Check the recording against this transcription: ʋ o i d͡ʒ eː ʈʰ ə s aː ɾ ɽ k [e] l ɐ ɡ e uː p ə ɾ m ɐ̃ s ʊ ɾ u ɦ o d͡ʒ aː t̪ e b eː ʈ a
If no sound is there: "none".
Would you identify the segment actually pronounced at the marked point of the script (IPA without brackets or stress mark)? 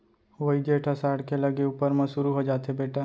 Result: e